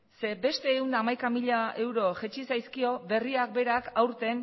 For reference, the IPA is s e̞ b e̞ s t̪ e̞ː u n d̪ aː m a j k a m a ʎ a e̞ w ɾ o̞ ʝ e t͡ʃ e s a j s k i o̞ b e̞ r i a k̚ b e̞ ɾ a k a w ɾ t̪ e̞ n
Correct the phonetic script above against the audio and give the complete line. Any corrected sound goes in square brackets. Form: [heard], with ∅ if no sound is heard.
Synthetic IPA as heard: s e̞ b e̞ s t̪ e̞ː u n d̪ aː m a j k a m [i] ʎ a e̞ w ɾ o̞ ʝ e t͡ʃ [i] s a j s k i o̞ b e̞ r i a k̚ b e̞ ɾ a k a w ɾ t̪ e̞ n

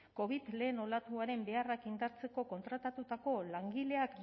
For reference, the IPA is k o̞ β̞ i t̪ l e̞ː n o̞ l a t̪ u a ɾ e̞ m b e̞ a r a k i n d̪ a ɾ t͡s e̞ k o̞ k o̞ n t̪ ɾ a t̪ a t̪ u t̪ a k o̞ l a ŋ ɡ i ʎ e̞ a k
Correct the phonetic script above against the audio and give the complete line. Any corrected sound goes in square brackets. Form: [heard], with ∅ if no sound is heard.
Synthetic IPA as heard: k o̞ β̞ i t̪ l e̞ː n o̞ l a t̪ u a ɾ e̞ m b e̞ a r a k i n d̪ a ɾ t͡s e̞ k o̞ k o̞ n t̪ ɾ a t̪ a t̪ u t̪ a k o̞ l a ŋ ɡ i [l] e̞ a k

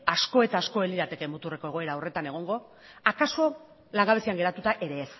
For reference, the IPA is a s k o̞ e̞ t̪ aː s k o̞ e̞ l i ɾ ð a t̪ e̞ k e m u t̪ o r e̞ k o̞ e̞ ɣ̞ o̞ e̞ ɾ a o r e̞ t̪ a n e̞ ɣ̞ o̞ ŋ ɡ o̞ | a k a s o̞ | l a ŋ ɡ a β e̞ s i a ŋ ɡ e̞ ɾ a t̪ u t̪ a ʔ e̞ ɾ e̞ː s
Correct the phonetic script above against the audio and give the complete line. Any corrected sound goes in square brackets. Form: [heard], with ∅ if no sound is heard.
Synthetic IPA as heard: a s k o̞ e̞ t̪ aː s k o̞ e̞ l i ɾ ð a t̪ e̞ k e m u t̪ [u] r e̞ k o̞ e̞ ɣ̞ o̞ e̞ ɾ a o r e̞ t̪ a n e̞ ɣ̞ o̞ ŋ ɡ o̞ | a k a s o̞ | l a ŋ ɡ a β e̞ s i a ŋ ɡ e̞ ɾ a t̪ u t̪ a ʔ e̞ ɾ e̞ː s

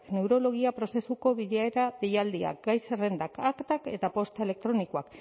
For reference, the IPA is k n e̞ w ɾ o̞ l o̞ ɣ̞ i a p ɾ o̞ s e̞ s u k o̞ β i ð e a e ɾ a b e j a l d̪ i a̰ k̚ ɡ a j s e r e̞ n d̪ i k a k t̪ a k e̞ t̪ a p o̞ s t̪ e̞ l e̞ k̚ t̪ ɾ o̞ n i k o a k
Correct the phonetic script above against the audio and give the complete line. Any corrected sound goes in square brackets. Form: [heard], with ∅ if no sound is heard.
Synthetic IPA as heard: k n e̞ w ɾ o̞ l o̞ ɣ̞ i a p ɾ o̞ s e̞ s u k o̞ β i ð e a e ɾ a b e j a l d̪ i a̰ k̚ ɡ a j s e r e̞ n d̪ [a] k a k t̪ a k e̞ t̪ a p o̞ s t̪ e̞ l e̞ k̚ t̪ ɾ o̞ n i k o a k

